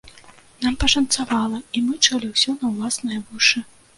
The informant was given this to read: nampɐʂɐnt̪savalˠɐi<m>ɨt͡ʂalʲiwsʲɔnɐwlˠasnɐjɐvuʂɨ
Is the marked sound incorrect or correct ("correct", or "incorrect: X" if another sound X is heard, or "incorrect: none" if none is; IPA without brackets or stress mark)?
correct